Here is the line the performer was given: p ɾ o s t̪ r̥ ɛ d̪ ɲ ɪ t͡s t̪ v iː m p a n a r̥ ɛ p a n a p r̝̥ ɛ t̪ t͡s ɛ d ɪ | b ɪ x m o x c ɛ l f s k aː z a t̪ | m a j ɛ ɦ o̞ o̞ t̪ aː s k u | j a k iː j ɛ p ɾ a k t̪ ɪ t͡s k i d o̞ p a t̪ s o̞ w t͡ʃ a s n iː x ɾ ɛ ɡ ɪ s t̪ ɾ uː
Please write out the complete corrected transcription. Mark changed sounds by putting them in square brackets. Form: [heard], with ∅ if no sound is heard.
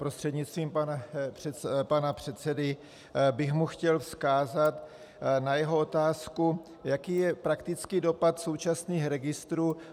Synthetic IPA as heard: p ɾ o s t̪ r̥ ɛ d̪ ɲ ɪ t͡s t̪ v iː m p a n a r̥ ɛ p a n a p r̝̥ ɛ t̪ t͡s ɛ d ɪ | b ɪ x m [u] x c ɛ l f s k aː z a t̪ | [n] a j ɛ ɦ o̞ o̞ t̪ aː s k u | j a k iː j ɛ p ɾ a k t̪ ɪ t͡s k i d o̞ p a t̪ s o̞ w t͡ʃ a s n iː x ɾ ɛ ɡ ɪ s t̪ ɾ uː